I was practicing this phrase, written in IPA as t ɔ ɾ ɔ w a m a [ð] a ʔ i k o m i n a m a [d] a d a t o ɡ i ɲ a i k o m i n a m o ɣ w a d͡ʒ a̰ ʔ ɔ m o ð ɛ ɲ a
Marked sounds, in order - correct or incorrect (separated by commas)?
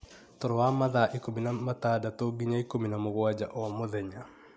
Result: correct, incorrect